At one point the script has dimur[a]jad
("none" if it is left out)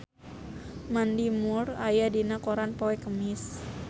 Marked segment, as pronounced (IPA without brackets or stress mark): a